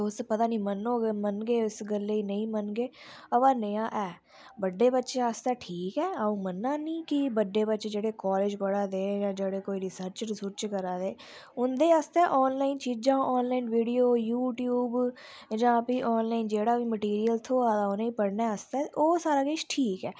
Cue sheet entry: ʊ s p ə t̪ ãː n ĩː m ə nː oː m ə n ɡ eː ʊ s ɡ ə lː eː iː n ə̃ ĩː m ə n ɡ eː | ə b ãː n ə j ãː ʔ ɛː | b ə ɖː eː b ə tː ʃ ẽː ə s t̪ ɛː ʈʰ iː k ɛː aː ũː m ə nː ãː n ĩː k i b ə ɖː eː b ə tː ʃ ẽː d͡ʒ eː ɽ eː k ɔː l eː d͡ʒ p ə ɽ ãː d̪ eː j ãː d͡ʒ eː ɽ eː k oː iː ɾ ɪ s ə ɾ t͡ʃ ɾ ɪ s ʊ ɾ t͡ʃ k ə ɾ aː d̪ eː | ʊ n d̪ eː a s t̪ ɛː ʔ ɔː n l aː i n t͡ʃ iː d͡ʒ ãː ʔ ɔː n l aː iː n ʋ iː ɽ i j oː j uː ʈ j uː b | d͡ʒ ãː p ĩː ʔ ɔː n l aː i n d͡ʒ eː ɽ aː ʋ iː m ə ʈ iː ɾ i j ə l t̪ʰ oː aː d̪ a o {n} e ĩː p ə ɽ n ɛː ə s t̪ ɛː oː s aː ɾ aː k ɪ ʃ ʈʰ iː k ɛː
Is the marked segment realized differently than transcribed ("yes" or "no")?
no